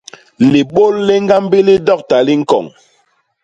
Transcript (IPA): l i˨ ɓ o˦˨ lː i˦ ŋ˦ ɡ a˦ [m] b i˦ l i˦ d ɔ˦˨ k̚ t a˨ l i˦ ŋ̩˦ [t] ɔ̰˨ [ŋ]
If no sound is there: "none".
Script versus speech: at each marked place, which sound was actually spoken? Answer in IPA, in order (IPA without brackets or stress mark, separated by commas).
m, k, ŋ